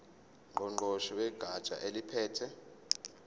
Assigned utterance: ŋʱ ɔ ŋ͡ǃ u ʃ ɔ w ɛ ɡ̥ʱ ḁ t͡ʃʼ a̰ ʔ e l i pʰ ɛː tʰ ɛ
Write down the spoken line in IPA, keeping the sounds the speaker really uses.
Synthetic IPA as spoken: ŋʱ ɔ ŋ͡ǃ ɔ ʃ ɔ w ɛ ɡ̥ʱ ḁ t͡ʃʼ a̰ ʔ e l i pʰ ɛː tʰ ɛ

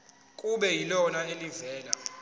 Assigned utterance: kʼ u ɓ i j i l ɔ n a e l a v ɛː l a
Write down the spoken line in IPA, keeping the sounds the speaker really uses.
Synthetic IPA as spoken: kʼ u ɓ ɛ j i l ɔ n a e l i v ɛː l a

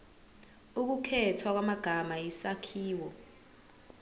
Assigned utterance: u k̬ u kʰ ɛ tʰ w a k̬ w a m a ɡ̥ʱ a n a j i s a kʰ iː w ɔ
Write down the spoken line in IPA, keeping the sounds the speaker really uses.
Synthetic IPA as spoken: u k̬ u kʰ ɛ tʰ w a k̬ w a m a ɡ̥ʱ a m a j i s a kʰ iː w ɔ

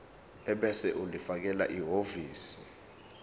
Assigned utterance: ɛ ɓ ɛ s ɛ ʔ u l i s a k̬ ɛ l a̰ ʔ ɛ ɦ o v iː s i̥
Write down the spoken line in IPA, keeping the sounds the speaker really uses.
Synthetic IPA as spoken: ɛ ɓ ɛ s ɛ ʔ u l i f a k̬ ɛ l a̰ ʔ i ɦ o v iː s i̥

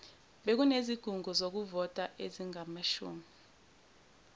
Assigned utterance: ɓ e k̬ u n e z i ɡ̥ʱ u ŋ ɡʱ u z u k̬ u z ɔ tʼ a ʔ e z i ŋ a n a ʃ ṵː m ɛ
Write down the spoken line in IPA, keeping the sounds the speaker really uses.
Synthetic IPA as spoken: ɓ e k̬ u n e z i ɡ̥ʱ u ŋ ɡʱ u z o k̬ u v ɔ tʼ a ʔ e z i ŋ a m a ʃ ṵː m i

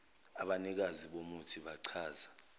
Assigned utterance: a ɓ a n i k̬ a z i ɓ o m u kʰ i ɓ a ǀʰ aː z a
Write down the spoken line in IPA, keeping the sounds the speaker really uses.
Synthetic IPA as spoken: a ɓ a n i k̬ a z i ɓ o m u tʰ i ɓ a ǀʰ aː z a

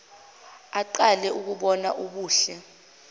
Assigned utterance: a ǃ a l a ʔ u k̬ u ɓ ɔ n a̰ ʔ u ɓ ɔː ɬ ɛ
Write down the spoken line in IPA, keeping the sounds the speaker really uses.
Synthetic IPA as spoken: a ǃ a l ɛ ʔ u k̬ u ɓ ɔ n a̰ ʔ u ɓ uː ɬ ɛ

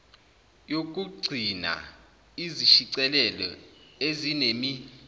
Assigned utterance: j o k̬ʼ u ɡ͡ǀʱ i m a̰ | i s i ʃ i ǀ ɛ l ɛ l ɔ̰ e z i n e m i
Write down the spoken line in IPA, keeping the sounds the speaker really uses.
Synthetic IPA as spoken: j o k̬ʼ u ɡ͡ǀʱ i n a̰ | i z i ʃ i ǀ ɛ l ɛ l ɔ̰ e z i n e m i

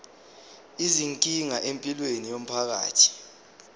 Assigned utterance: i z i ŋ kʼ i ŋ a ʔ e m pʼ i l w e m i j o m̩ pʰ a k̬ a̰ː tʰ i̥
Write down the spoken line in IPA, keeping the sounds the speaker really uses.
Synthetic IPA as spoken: i z i ŋ kʼ i ŋ a ʔ e m pʼ i l w e n i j o m̩ pʰ a k̬ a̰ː tʰ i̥

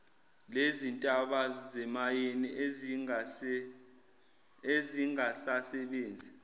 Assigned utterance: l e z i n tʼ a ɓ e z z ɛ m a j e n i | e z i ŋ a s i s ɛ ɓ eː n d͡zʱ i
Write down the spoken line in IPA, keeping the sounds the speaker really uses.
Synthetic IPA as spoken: l e z i n tʼ a ɓ a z z ɛ m a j e n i | e z i ŋ a s a s ɛ ɓ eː n d͡zʱ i

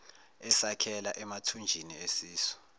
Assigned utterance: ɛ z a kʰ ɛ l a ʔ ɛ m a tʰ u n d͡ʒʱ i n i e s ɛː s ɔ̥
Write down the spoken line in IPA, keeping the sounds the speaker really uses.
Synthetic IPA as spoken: ɛ s a kʰ ɛ l a ʔ ɛ m a tʰ u n d͡ʒʱ i n i e s iː s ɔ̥

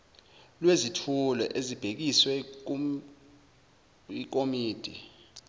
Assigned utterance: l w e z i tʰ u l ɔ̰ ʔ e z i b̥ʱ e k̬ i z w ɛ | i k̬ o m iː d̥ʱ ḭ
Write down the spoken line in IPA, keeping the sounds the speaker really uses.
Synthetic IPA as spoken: l w e z i tʰ u l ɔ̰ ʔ e z i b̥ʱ e k̬ i s w ɛ | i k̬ o m iː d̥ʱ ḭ

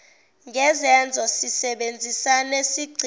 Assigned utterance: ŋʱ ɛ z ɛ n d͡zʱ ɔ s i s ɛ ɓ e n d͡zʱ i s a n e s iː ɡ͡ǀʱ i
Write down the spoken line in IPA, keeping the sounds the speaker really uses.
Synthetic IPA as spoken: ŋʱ ɛ z ɛ n d͡zʱ ɔ s i s ɛ ɓ e n d͡zʱ i s a n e s i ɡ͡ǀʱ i

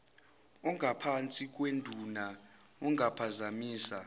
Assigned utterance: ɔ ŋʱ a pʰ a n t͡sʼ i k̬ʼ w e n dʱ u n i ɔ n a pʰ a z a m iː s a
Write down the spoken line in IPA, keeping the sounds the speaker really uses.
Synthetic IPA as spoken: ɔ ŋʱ a pʰ a n t͡sʼ i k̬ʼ w e n dʱ u n a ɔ ŋ a pʰ a z a m iː s a

